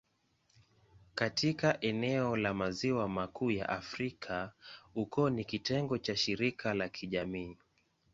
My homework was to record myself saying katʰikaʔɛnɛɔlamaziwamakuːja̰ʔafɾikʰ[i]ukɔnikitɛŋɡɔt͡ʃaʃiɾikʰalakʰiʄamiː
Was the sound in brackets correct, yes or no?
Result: no